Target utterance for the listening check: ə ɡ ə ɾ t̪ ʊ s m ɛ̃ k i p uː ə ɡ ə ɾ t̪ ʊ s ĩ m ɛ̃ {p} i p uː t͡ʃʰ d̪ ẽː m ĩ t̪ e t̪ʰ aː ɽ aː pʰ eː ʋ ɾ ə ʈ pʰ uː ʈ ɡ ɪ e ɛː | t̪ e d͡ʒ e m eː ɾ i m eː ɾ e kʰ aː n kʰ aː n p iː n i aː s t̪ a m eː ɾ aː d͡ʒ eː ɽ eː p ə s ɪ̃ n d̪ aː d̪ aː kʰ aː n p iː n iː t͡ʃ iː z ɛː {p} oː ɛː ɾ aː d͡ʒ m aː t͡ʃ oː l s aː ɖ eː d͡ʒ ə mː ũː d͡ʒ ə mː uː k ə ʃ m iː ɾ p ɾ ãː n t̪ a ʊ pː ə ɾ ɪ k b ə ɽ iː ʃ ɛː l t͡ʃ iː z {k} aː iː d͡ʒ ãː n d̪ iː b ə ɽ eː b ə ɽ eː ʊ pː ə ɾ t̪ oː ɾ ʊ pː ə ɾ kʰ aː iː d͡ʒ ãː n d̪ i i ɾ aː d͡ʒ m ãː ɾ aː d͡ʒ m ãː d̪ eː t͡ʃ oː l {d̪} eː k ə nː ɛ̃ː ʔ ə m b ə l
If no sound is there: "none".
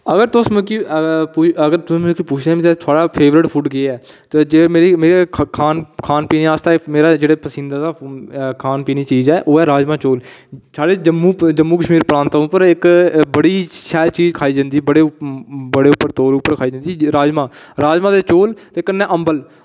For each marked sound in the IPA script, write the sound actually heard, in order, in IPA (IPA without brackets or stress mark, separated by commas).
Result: k, ʔ, kʰ, t̪